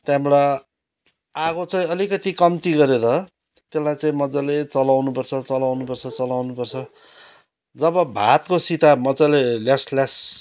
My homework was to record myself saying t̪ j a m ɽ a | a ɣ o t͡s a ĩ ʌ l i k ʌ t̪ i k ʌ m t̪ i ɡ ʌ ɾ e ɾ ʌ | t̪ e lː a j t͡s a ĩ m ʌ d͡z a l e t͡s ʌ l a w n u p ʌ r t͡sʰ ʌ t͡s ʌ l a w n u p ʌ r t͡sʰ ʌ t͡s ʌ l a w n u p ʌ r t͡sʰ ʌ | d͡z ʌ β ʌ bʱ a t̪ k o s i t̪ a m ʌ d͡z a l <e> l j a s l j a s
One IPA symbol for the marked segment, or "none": e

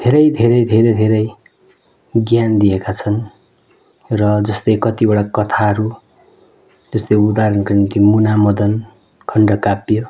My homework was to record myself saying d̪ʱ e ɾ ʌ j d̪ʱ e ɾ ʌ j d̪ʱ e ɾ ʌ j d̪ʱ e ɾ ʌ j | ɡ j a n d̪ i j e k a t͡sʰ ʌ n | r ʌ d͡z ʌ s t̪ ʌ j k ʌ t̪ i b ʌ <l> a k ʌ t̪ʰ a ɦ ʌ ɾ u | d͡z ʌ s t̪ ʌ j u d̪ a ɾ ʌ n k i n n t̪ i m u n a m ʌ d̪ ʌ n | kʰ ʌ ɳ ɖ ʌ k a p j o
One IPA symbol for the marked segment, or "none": ɽ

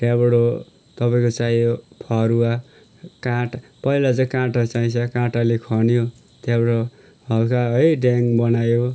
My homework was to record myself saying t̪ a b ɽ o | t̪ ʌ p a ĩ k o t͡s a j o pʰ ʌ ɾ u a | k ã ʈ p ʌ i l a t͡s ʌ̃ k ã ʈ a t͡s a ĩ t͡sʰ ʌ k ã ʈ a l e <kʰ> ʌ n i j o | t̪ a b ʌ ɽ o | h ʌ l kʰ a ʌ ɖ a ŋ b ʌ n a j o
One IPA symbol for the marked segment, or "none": kʰ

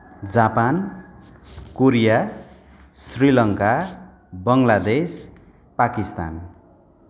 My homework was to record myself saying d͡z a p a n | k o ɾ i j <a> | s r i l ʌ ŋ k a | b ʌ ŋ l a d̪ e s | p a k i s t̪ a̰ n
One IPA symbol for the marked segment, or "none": a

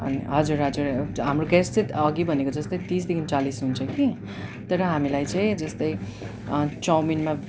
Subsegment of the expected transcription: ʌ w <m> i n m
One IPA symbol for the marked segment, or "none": m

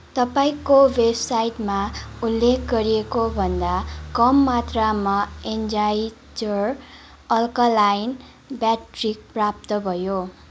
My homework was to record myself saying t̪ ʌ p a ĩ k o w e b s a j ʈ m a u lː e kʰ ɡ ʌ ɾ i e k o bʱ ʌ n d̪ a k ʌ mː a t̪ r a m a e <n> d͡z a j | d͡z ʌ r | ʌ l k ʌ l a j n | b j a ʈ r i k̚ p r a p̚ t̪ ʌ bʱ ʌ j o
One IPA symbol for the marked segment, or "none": n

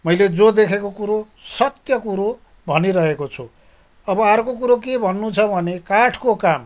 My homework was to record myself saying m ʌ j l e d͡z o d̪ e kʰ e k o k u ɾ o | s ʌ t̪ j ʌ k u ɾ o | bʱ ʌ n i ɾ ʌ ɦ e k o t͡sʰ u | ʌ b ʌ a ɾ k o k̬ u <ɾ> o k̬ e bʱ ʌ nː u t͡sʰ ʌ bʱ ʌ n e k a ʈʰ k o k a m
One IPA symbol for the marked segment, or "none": ɾ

